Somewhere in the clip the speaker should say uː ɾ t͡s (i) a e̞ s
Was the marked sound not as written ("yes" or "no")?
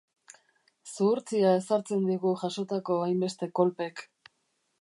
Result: no